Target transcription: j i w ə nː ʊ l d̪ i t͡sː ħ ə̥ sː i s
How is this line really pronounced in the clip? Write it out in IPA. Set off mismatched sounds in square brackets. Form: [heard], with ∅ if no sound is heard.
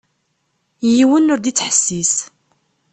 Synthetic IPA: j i w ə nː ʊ [ɾ] d̪ i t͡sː ħ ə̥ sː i s